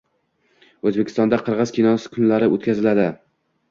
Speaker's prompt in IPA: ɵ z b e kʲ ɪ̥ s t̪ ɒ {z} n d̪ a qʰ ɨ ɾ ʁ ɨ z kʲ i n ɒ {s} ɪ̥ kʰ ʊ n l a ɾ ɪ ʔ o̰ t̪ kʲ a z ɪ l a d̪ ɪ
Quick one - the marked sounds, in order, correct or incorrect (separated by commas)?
incorrect, correct